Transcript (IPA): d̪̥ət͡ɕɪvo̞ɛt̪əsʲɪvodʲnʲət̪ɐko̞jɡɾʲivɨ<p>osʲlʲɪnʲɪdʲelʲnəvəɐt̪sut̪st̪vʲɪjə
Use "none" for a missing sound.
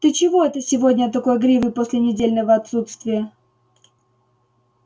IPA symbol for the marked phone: p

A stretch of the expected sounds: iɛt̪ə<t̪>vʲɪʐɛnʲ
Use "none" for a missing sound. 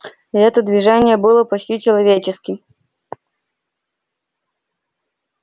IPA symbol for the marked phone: d̪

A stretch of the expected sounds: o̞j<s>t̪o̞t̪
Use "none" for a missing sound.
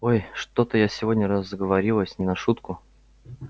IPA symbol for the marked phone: ʂ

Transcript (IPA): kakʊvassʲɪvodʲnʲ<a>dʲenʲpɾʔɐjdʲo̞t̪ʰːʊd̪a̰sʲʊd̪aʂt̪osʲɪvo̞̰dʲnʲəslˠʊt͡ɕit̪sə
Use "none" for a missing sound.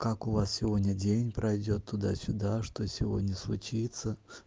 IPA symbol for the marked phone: ə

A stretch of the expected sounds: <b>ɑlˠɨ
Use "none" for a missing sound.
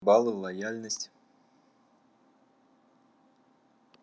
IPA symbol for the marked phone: b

